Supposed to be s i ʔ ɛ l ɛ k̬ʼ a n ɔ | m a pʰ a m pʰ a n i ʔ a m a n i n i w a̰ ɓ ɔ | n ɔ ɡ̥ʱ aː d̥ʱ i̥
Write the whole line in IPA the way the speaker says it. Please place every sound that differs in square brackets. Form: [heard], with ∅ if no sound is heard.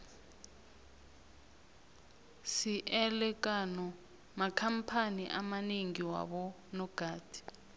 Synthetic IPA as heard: s i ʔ ɛ l ɛ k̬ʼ a n ɔ | m a [kʰ] a m pʰ a n i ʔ a m a n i [ŋ] i w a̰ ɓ ɔ | n ɔ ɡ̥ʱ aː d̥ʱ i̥